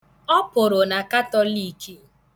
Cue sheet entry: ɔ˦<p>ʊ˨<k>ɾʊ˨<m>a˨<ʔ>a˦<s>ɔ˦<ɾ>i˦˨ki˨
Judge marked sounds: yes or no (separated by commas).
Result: yes, no, no, no, no, no